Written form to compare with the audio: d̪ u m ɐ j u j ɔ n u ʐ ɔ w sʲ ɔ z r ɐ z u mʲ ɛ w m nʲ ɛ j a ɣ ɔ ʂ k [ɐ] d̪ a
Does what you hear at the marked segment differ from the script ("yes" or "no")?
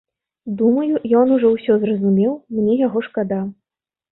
yes